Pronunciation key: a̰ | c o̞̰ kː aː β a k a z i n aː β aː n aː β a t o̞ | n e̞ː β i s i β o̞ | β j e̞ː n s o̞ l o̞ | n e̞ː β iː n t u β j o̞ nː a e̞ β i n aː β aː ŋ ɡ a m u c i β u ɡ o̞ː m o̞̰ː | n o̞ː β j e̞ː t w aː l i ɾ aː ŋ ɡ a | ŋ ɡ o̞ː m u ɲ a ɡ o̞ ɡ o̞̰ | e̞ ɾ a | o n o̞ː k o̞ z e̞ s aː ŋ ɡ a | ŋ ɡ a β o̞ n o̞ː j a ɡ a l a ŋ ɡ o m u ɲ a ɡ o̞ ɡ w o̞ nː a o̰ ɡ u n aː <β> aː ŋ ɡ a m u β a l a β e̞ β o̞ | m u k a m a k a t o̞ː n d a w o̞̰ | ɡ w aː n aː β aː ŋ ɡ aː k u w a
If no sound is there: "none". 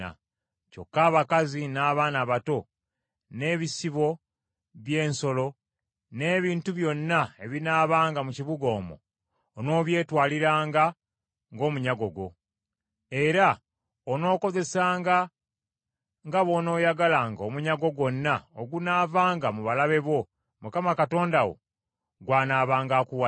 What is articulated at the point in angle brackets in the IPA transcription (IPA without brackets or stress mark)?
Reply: v